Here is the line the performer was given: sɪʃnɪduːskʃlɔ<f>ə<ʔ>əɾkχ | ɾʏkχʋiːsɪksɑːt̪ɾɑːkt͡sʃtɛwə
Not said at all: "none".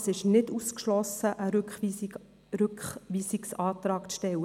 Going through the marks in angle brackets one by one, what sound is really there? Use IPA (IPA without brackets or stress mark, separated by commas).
s, ʔ